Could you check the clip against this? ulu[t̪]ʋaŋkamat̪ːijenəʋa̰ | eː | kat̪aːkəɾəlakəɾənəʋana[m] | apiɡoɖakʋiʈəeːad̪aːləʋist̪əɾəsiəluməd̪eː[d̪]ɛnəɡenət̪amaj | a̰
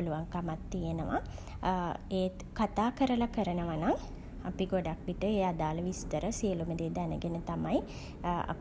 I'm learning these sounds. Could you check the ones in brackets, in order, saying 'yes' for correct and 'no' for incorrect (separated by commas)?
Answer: no, no, yes